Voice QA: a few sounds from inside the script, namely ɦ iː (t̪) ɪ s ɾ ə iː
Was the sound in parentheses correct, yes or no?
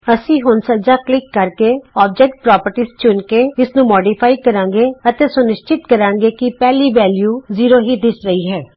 no